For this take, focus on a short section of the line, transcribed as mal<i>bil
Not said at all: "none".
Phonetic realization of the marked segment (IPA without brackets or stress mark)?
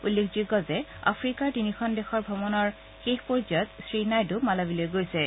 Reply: a